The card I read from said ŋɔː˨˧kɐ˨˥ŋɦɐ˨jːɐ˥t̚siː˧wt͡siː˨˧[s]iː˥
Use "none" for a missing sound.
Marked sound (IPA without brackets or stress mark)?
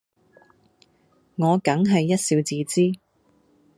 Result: t͡s